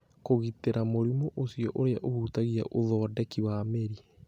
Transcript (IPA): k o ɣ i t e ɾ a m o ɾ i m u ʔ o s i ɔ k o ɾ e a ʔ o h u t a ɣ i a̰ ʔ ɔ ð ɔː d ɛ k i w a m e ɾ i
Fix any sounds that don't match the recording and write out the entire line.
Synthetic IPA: k o ɣ i t e ɾ a m o ɾ i m o ʔ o s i ɔ ʔ o ɾ e a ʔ o h u t a ɣ i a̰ ʔ o ð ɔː d ɛ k i w a m e ɾ i